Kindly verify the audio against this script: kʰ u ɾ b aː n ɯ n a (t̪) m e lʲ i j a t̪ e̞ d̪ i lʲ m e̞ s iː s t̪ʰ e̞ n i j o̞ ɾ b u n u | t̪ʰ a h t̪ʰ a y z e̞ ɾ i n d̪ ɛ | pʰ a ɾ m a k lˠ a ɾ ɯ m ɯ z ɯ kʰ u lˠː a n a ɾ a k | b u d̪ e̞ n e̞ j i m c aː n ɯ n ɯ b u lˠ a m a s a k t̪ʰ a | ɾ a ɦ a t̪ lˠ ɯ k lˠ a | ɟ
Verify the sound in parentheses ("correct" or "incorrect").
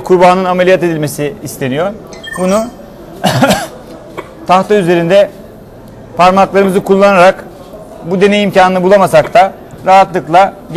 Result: incorrect